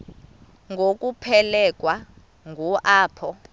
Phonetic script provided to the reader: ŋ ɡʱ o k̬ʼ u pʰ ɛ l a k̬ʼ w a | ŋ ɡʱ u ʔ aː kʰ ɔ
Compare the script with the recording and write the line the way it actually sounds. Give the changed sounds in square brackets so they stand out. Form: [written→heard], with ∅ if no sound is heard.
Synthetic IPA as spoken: ŋ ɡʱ o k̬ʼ u pʰ ɛ l [a→ɛ] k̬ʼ w a | ŋ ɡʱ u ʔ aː [kʰ→pʰ] ɔ